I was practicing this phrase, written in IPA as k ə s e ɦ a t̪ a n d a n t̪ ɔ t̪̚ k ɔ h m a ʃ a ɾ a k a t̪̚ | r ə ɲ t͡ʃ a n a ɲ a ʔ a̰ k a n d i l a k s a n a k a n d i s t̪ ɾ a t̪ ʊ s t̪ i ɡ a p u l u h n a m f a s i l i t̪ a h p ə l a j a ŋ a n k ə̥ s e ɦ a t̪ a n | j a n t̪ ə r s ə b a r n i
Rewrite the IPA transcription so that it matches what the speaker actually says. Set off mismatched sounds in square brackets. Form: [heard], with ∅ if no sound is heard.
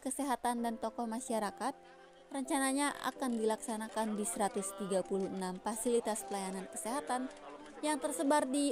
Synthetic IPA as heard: k ə s e ɦ a t̪ a n d a n t̪ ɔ [∅] k ɔ h m a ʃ a ɾ a k a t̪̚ | r ə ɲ t͡ʃ a n a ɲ a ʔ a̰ k a n d i l a k s a n a k a n d i s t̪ ɾ a t̪ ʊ s t̪ i ɡ a p u l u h n a m f a s i l i t̪ a [s] p ə l a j a [n] a n k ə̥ s e ɦ a t̪ a n | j a [ŋ] t̪ ə r s ə b a r [d] i